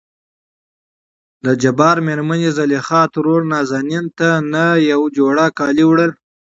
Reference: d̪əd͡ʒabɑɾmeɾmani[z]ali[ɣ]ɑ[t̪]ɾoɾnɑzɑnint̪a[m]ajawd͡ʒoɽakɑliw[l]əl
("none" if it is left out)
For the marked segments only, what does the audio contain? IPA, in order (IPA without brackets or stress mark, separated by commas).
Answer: z, x, t̪, n, ɽ